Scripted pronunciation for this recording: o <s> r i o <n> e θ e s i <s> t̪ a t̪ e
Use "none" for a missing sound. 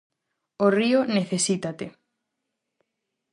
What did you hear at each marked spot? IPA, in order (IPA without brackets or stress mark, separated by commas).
none, n, none